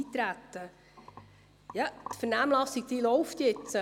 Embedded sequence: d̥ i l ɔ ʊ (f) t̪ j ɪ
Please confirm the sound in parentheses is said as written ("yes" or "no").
yes